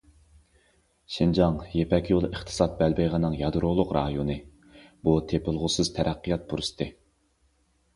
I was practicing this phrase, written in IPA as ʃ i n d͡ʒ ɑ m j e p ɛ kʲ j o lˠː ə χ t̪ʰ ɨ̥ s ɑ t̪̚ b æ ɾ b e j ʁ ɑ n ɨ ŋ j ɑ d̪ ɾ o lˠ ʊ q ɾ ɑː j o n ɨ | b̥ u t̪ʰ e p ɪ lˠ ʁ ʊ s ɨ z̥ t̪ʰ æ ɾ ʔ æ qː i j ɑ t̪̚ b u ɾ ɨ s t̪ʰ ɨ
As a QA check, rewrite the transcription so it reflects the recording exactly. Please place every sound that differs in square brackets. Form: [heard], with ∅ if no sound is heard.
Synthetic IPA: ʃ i n d͡ʒ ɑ [ŋ] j e p ɛ kʲ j o [lˠ] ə χ t̪ʰ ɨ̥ s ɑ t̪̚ b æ [l] b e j ʁ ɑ n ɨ ŋ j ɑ d̪ ɾ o lˠ ʊ q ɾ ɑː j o n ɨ | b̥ u t̪ʰ e p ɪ lˠ ʁ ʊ s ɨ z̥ t̪ʰ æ ɾ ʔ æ qː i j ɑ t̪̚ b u ɾ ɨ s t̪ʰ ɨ